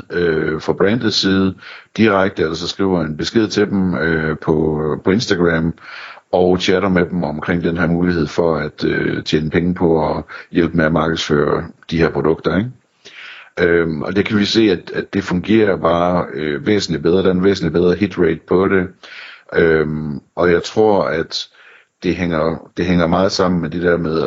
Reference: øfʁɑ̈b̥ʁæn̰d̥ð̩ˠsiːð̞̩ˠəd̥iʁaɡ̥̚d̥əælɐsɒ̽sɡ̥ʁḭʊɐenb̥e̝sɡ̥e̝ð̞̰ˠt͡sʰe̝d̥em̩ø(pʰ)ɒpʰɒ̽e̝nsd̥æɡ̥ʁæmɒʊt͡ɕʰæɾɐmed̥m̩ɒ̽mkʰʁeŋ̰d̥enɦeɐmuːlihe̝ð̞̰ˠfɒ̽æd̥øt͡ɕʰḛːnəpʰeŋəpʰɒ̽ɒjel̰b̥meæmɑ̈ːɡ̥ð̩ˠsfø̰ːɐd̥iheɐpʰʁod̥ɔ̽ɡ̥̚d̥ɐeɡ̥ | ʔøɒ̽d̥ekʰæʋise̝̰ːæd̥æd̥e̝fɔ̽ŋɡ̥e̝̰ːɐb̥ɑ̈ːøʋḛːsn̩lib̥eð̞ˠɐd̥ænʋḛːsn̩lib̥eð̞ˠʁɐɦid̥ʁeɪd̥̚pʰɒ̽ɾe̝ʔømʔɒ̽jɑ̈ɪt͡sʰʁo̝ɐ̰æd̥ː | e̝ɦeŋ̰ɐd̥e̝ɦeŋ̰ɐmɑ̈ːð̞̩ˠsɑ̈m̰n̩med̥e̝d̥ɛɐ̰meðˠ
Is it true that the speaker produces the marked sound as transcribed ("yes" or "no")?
yes